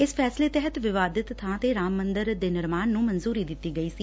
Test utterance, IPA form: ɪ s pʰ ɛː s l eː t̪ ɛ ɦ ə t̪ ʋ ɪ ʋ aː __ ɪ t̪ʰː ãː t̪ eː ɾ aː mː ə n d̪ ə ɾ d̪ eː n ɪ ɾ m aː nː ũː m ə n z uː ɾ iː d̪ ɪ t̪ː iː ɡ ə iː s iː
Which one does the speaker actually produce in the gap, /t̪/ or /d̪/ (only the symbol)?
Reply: d̪